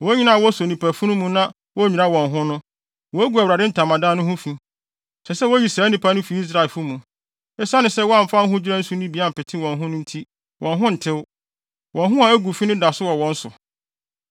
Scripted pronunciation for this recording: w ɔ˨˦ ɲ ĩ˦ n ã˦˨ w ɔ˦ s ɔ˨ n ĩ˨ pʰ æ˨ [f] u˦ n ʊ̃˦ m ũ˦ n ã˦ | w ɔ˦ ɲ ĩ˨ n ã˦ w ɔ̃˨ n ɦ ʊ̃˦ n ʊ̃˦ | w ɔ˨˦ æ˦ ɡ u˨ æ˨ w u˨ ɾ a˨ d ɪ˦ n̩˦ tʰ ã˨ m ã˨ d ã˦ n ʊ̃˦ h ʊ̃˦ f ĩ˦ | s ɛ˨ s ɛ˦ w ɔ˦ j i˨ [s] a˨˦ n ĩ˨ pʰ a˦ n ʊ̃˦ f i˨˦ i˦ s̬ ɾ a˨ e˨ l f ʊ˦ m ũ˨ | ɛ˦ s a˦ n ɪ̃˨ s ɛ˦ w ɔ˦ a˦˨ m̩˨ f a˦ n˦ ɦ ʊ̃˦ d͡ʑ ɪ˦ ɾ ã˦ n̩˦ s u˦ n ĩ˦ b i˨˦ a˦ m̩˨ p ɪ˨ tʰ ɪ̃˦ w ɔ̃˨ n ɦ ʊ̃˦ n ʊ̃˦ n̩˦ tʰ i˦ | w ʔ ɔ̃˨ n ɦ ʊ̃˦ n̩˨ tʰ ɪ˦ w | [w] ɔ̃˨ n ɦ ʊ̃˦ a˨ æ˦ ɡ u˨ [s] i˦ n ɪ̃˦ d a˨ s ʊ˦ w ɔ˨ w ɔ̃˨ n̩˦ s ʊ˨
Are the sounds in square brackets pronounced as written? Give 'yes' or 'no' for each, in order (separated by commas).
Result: yes, yes, yes, no